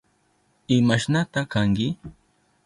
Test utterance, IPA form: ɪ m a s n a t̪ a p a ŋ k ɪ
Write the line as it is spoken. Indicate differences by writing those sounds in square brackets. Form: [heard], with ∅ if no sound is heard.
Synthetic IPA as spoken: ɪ m a [ʃ] n a t̪ a [k] a ŋ k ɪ